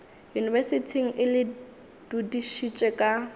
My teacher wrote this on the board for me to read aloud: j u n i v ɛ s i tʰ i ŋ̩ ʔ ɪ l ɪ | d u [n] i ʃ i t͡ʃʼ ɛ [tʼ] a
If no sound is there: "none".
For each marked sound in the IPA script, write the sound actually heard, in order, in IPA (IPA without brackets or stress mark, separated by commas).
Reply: d, kʼ